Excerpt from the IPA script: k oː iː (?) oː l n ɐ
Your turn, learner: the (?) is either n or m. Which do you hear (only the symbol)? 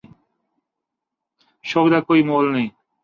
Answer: m